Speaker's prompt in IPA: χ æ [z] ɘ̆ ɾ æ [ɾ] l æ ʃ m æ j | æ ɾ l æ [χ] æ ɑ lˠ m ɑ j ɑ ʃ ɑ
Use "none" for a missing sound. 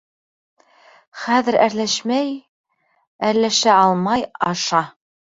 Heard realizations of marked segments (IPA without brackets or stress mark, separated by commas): ð, ɾ, ʃ